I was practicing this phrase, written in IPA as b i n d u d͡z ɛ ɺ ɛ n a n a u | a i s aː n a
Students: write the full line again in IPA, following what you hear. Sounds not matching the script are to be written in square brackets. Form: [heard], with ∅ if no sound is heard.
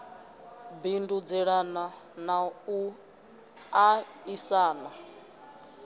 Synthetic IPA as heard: b i n d u d͡z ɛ ɺ [a] n a n a u | a i s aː n a